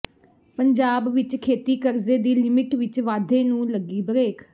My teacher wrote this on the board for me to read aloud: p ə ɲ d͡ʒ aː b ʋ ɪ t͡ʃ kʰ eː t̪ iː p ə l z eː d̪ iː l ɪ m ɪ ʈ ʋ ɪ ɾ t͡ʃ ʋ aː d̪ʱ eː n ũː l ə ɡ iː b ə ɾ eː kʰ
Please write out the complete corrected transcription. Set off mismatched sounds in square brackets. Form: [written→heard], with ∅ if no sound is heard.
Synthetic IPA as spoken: p ə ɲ d͡ʒ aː b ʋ ɪ t͡ʃ kʰ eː t̪ iː [p→k] ə [l→ɾ] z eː d̪ iː l ɪ m ɪ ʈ ʋ ɪ [ɾ→∅] t͡ʃ ʋ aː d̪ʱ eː n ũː l ə ɡ iː b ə ɾ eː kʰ